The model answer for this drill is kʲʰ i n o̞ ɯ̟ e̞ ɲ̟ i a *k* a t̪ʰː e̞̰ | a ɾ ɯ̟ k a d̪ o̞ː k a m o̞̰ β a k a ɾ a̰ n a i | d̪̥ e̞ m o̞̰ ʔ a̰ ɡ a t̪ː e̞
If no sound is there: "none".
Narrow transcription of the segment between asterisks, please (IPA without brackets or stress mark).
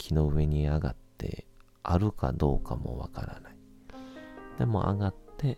ɡ